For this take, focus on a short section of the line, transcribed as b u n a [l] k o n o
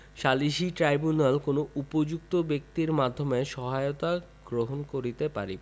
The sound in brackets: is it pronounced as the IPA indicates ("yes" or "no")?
yes